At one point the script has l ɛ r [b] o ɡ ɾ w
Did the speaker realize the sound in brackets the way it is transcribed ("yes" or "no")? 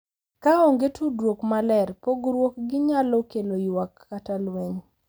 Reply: no